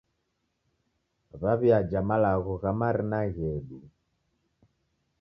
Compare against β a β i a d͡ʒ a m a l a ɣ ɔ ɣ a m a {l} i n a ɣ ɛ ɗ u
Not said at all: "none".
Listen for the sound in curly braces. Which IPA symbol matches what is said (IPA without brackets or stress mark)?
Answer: ɾ